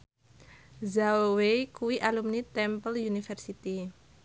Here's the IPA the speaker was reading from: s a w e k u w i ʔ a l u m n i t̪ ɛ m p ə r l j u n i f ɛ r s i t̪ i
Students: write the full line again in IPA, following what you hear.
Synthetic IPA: z a w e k u w i ʔ a l u m n i t̪ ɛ m p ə l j u n i f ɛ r s i t̪ i